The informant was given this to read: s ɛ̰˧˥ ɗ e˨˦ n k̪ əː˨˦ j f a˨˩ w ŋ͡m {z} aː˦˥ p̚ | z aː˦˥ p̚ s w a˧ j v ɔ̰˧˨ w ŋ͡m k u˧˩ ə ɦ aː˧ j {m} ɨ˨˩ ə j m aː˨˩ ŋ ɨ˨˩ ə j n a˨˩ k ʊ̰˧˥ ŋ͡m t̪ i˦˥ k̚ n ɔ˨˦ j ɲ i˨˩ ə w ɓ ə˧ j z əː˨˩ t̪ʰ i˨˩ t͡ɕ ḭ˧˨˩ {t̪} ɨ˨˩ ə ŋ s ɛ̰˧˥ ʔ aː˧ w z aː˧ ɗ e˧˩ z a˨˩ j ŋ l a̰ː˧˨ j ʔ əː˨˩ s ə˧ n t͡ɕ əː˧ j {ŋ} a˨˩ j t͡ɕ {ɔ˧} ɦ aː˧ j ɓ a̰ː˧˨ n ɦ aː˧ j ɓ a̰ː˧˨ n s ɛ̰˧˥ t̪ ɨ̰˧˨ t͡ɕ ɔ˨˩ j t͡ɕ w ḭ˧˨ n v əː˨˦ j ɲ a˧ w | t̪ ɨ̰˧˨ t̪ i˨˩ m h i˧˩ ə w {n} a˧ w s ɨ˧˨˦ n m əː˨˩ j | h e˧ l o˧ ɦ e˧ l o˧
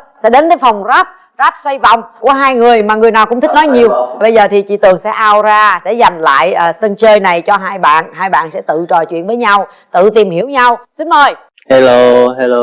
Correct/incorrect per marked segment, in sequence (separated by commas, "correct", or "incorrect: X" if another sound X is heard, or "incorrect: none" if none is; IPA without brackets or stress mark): correct, incorrect: ŋ, correct, incorrect: n, correct, incorrect: ɲ